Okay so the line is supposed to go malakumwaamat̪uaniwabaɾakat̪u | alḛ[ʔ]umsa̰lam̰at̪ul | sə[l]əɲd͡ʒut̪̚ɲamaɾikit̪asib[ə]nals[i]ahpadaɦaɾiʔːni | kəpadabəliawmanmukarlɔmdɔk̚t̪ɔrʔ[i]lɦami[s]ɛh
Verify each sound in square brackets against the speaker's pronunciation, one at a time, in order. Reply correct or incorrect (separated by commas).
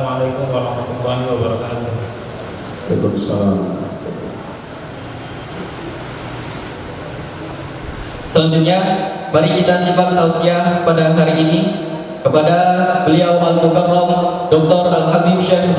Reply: incorrect, correct, incorrect, correct, incorrect, incorrect